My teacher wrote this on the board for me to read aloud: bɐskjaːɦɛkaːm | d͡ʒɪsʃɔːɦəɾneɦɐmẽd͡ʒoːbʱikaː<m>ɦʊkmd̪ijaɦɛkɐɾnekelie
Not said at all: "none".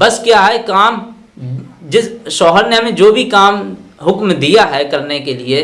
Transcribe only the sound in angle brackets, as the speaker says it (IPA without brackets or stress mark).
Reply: m